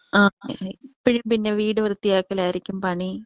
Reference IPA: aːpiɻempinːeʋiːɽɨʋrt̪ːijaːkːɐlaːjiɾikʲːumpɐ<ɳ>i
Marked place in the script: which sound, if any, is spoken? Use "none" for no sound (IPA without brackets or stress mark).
ɳ